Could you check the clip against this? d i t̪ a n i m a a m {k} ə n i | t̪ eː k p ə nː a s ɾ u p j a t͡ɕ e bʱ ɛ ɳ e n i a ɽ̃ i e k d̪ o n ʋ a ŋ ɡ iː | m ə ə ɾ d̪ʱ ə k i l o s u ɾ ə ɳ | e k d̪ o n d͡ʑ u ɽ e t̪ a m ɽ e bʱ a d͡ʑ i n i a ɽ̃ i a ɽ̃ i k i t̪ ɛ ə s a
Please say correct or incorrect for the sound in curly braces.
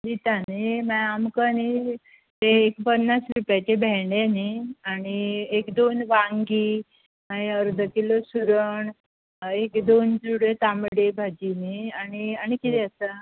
correct